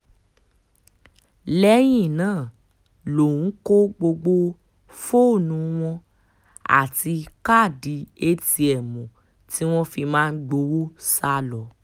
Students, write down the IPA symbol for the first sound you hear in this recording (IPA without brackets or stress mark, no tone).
l